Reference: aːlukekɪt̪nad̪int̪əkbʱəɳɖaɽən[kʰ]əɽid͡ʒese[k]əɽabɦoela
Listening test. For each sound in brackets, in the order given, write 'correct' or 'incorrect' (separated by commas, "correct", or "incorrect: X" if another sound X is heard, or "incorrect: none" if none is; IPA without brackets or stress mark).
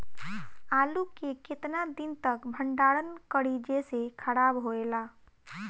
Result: incorrect: k, incorrect: kʰ